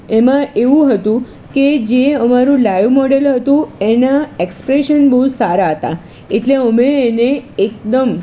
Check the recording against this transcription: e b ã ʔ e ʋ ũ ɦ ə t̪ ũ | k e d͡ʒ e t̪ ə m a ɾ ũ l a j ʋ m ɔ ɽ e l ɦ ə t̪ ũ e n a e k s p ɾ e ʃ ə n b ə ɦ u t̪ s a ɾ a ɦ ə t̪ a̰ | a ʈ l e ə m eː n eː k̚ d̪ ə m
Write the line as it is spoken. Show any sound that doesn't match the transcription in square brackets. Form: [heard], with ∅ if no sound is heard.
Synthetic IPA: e [m] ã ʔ e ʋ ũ ɦ ə t̪ ũ | k e d͡ʒ e [∅] ə m a ɾ ũ l a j ʋ m ɔ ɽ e l ɦ ə t̪ ũ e n a e k s p ɾ e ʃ ə n b ə ɦ u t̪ s a ɾ a ɦ ə t̪ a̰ | [e] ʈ l e ə m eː n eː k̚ d̪ ə m